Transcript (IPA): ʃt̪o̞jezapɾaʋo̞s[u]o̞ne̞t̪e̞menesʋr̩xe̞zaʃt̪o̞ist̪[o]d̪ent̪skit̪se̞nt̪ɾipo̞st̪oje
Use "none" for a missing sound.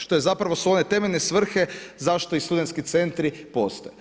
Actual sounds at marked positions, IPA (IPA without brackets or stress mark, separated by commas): u, u